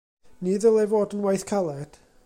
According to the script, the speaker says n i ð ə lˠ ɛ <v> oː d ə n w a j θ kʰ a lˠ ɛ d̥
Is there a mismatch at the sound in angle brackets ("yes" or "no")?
no